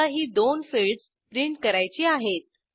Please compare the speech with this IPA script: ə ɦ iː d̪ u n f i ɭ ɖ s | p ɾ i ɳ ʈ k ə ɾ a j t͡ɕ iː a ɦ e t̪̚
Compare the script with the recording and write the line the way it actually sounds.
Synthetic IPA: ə ɦ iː d̪ o n f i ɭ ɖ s | p ɾ i ɳ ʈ k ə ɾ a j t͡ɕ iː a ɦ e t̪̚